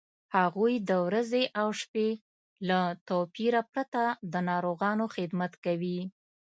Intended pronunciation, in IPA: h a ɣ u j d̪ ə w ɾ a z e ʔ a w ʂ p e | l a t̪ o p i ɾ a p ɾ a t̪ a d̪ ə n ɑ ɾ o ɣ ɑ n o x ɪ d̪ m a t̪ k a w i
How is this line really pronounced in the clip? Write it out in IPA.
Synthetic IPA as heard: h a ɣ u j d̪ ə w ɾ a z e ʔ a w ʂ p e | l a t̪ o p i ɾ a p ɾ a t̪ a d̪ ə n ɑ ɾ o ɣ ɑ n o x ɪ d̪ m a t̪ k a w i